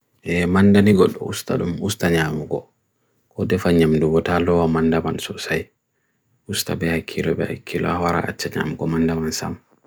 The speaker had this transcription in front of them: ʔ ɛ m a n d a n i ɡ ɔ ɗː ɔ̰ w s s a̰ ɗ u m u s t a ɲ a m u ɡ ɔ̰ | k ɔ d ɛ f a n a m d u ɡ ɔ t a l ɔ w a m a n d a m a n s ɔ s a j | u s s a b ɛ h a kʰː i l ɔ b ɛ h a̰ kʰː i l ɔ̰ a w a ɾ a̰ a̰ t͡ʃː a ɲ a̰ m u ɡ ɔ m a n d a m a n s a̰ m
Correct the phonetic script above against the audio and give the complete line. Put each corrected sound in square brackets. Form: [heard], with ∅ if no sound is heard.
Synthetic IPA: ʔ ɛ m a n d a n i ɡ ɔ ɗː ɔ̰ [u] s [t] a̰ ɗ u m u s t a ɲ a m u ɡ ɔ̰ | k ɔ d ɛ f a [ɲ] a m d u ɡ ɔ t a l ɔ w a m a n d a m a n s ɔ s a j | u s [t] a b ɛ h a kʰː i l ɔ b ɛ h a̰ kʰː i l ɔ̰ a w a ɾ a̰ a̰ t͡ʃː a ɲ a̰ m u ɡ ɔ m a n d a m a n s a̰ m